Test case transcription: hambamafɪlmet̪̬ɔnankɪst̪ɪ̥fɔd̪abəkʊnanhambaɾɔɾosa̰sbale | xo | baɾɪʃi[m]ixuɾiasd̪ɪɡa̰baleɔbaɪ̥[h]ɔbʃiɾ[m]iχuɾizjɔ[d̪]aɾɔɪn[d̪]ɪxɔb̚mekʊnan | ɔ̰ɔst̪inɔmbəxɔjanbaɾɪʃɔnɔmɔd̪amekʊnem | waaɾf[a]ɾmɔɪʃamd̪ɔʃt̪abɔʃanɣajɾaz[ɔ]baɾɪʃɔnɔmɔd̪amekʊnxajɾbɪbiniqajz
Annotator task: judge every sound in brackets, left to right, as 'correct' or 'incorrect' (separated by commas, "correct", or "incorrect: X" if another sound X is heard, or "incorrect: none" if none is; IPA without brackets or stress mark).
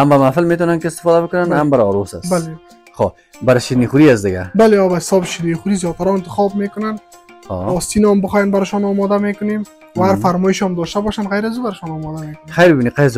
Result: incorrect: n, incorrect: s, incorrect: n, incorrect: t̪, incorrect: t̪, correct, incorrect: u